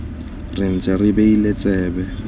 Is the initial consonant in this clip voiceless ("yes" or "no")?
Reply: no